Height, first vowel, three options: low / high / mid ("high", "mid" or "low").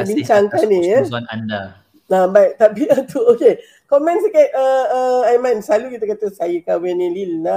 high